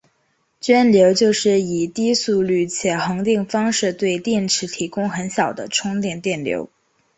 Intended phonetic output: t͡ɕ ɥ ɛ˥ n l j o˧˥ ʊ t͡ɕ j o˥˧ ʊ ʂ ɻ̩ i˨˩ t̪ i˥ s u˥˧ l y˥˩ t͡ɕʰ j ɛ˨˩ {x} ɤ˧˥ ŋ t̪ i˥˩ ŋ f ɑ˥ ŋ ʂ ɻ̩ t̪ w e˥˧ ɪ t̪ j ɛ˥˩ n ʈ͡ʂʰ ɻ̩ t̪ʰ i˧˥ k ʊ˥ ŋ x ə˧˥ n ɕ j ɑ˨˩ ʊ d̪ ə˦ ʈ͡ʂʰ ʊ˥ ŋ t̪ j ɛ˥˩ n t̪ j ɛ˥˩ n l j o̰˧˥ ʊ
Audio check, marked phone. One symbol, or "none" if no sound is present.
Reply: x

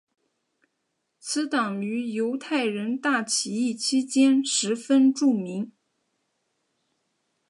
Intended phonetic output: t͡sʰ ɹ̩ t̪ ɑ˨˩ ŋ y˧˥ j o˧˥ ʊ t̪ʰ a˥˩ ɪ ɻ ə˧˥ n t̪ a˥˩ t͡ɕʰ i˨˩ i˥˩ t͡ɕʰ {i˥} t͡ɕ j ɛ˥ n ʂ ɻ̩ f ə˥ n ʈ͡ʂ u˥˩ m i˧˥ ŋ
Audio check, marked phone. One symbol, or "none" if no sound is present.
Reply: i˥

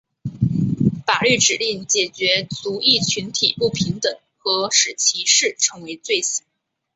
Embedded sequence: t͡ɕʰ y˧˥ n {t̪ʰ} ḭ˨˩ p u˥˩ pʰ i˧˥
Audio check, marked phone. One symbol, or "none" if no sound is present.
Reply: t̪ʰ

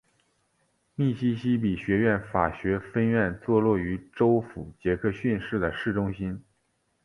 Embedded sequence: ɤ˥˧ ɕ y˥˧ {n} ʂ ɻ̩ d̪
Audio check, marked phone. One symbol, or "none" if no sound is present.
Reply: n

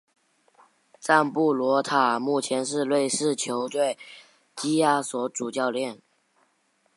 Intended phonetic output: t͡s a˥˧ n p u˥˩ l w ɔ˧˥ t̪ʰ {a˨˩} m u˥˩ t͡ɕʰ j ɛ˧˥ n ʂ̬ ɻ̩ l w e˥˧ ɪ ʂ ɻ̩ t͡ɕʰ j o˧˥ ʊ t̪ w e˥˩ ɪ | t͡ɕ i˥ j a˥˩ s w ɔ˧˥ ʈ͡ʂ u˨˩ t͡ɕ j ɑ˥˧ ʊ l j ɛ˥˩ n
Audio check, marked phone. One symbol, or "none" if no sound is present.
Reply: a˨˩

